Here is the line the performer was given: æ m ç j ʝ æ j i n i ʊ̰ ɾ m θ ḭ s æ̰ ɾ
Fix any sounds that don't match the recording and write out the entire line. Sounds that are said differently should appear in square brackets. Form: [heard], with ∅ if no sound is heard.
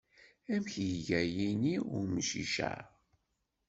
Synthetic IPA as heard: æ m ç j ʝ æ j i n i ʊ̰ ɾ m [ʃ] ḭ [ʃ] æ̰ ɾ